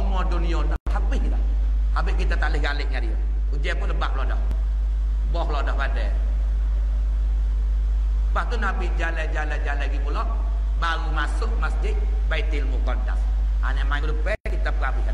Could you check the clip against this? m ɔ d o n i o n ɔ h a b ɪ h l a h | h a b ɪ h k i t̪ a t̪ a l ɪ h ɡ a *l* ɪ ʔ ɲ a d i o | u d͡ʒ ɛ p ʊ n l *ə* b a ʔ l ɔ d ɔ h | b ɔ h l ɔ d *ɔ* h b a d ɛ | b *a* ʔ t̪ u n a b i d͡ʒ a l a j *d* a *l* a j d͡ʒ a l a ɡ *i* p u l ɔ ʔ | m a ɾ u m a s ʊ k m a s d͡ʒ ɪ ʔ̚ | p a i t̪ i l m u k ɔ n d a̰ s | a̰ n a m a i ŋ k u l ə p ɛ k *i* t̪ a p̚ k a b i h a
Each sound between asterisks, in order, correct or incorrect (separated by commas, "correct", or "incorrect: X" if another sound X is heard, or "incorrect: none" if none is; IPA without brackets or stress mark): correct, correct, correct, correct, incorrect: d͡ʒ, correct, correct, correct